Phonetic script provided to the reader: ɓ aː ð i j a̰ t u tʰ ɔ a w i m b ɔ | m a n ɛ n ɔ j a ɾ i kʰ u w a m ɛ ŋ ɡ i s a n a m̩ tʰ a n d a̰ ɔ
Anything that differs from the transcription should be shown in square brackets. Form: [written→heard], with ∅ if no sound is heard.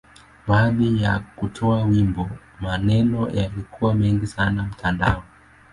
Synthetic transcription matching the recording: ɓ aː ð i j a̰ [t→k] u tʰ ɔ a w i m b ɔ | m a n ɛ n ɔ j a [ɾ→l] i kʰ u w a m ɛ ŋ ɡ i s a n a m̩ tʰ a n d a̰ ɔ